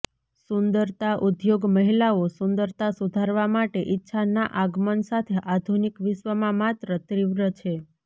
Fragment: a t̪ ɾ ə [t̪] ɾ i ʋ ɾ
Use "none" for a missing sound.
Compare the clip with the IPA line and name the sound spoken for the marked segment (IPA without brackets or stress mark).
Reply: t̪